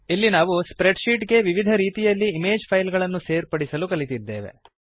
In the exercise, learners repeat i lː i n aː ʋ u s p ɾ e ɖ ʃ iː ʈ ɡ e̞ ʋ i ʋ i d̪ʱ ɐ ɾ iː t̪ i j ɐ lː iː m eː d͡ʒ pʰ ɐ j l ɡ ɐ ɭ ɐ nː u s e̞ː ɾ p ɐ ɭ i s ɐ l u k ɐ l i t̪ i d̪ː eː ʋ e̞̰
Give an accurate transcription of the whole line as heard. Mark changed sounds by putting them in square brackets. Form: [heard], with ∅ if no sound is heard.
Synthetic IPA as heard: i lː i n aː ʋ u s p ɾ e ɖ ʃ iː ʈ ɡ e̞ ʋ i ʋ i d̪ʱ ɐ ɾ iː t̪ i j ɐ lː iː m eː d͡ʒ pʰ ɐ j l ɡ ɐ ɭ ɐ nː u s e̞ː ɾ p ɐ [ɽ] i s ɐ l u k ɐ l i t̪ i d̪ː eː ʋ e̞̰

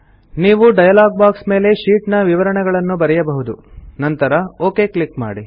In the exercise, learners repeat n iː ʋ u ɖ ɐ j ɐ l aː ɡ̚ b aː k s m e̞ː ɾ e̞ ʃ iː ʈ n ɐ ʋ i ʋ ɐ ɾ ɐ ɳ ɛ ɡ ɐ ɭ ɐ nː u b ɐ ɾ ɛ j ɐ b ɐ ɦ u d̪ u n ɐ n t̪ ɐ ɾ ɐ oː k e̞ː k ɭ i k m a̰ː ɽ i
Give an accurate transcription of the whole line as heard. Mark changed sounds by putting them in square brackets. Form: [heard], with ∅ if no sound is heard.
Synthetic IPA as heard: n iː ʋ u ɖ ɐ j ɐ l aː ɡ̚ b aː k s m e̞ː [l] e̞ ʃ iː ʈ n ɐ ʋ i ʋ ɐ ɾ ɐ ɳ ɛ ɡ ɐ ɭ ɐ nː u b ɐ ɾ ɛ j ɐ b ɐ ɦ u d̪ u n ɐ n t̪ ɐ ɾ ɐ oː k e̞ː k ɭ i k m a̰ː ɽ i

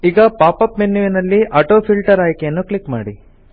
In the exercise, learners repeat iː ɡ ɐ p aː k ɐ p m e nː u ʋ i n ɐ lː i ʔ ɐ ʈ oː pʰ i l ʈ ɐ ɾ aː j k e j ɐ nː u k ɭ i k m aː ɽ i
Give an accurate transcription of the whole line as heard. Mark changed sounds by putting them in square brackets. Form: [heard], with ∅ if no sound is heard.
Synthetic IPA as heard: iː ɡ ɐ p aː [p] ɐ p m e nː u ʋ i n ɐ lː i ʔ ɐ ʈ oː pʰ i l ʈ ɐ ɾ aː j k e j ɐ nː u k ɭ i k m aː ɽ i

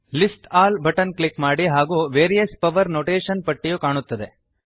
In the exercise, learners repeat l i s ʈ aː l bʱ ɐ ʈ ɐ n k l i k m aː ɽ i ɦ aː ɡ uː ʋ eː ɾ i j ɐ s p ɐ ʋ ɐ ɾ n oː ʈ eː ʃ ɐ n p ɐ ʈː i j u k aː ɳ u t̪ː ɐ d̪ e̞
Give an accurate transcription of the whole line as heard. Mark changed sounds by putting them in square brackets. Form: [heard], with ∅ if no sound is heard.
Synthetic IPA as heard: l i s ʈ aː l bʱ ɐ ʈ ɐ n k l i k m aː ɽ i ɦ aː ɡ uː ʋ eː ɾ i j ɐ s p ɐ ʋ ɐ ɾ n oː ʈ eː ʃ ɐ n p ɐ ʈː i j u k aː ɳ u t̪ː ɐ d̪ e̞

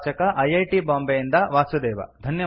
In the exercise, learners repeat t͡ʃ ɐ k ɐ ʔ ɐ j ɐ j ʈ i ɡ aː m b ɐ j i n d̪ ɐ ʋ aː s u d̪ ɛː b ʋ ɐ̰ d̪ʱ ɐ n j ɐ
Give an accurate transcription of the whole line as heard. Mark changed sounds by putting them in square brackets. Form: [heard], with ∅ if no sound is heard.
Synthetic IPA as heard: t͡ʃ ɐ k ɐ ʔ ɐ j ɐ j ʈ i [b] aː m b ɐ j i n d̪ ɐ ʋ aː s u d̪ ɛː [∅] ʋ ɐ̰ d̪ʱ ɐ n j ɐ

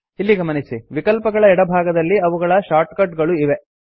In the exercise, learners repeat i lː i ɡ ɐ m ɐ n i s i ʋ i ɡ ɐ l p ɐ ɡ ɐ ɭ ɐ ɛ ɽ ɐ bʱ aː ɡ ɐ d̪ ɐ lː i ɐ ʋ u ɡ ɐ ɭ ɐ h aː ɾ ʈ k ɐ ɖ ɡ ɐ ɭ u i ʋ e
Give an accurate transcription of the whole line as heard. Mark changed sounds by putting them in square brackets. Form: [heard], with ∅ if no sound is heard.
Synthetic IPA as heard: i lː i ɡ ɐ m ɐ n i s i ʋ i [k] ɐ l p ɐ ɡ ɐ ɭ ɐ ɛ ɽ ɐ bʱ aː ɡ ɐ d̪ ɐ lː i ɐ ʋ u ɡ ɐ ɭ ɐ [ʃ] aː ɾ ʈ k ɐ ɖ ɡ ɐ ɭ u i ʋ e

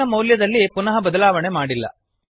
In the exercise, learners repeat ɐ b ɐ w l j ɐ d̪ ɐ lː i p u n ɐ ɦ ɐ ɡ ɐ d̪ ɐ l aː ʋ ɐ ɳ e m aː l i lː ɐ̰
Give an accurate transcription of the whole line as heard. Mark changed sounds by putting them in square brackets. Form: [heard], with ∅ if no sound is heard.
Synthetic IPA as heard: ɐ [m] ɐ w l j ɐ d̪ ɐ lː i p u n ɐ ɦ ɐ [b] ɐ d̪ ɐ l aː ʋ ɐ ɳ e m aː [ɽ] i lː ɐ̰

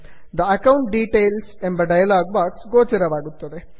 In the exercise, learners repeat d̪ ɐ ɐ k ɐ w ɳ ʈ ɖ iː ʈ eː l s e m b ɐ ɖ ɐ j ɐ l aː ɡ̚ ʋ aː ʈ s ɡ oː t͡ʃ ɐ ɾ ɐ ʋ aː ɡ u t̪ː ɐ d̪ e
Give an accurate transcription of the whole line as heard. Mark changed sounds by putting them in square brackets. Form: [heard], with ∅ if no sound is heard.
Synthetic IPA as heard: d̪ ɐ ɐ k ɐ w ɳ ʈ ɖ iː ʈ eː l s e m b ɐ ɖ ɐ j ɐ l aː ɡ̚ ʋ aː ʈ s ɡ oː t͡ʃ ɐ ɾ ɐ ʋ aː ɡ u t̪ː ɐ d̪ e

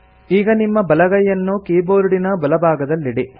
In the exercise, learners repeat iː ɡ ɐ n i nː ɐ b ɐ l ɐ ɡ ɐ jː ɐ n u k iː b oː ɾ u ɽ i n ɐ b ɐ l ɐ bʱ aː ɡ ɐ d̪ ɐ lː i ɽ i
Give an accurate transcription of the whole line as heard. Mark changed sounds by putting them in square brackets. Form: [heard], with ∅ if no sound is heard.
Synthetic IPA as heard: iː ɡ ɐ n i [mː] ɐ b ɐ l ɐ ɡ ɐ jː ɐ [nː] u k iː b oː ɾ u ɽ i n ɐ b ɐ l ɐ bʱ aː ɡ ɐ d̪ ɐ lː i ɽ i

